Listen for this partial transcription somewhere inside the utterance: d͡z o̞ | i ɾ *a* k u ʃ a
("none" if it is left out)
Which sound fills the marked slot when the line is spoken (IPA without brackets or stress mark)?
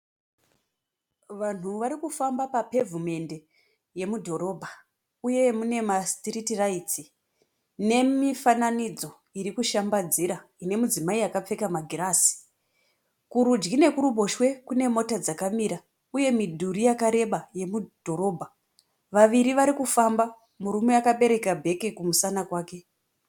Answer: i